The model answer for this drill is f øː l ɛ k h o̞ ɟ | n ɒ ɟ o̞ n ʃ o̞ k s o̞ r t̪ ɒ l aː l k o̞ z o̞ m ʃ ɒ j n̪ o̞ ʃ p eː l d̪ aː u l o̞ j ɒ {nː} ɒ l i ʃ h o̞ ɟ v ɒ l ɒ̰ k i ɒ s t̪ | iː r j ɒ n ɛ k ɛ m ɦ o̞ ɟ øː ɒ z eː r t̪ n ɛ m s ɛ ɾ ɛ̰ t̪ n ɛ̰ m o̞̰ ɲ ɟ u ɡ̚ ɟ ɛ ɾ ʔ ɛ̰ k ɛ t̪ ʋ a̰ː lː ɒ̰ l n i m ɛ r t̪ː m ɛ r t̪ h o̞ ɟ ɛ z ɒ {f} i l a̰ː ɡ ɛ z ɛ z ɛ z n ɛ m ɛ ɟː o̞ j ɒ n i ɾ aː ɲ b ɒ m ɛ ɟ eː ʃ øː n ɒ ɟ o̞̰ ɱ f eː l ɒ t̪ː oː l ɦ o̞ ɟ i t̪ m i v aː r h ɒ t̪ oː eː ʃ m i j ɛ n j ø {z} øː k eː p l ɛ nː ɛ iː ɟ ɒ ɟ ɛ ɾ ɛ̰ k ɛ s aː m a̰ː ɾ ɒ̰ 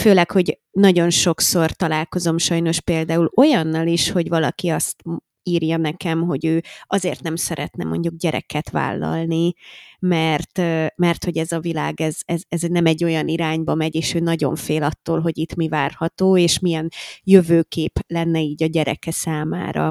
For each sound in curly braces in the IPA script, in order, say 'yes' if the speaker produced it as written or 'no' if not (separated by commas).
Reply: yes, no, no